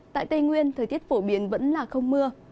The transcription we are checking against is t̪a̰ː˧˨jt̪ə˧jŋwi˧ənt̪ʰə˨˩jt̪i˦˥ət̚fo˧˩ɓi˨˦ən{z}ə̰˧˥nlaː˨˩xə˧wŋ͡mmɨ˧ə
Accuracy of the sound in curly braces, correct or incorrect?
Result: incorrect